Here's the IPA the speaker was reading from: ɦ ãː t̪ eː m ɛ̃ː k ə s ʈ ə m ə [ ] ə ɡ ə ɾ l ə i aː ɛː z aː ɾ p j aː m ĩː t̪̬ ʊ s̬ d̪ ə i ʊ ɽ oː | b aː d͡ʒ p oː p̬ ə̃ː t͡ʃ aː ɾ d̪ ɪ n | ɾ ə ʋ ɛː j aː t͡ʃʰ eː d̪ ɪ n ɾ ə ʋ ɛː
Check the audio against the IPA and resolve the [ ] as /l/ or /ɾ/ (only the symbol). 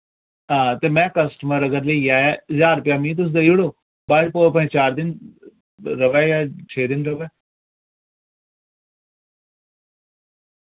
ɾ